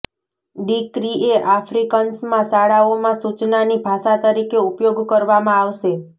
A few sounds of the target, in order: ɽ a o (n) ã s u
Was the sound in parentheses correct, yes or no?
no